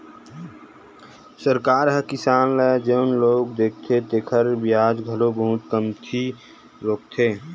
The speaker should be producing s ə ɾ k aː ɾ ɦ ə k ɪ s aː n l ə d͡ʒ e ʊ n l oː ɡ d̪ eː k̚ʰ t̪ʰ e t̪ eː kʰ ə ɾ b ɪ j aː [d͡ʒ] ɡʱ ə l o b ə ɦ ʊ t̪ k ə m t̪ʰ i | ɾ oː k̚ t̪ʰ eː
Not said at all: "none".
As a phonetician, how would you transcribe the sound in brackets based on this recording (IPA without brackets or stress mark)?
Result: d͡ʒ